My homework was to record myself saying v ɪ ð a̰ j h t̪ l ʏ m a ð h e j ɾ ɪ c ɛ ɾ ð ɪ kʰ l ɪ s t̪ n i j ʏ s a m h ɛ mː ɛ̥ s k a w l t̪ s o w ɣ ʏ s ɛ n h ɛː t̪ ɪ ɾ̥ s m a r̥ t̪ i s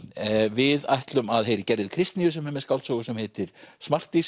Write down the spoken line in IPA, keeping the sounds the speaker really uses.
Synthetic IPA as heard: v ɪ ð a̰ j h t̪ l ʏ m a ð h e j ɾ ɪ c ɛ ɾ ð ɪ kʰ ɾ ɪ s t̪ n i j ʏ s ɛ m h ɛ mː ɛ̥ s k a w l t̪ s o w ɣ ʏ s ɛ m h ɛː t̪ ɪ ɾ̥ s m a r̥ t̪ i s